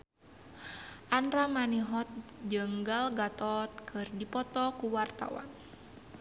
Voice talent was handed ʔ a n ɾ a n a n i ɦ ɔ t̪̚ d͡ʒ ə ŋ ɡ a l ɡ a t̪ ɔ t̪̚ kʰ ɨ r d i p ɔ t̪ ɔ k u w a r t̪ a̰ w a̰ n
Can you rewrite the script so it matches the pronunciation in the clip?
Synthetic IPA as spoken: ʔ a n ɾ a m a n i ɦ ɔ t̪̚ d͡ʒ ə ŋ ɡ a l ɡ a t̪ ɔ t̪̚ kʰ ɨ r d i p ɔ t̪ ɔ k u w a r t̪ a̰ w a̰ n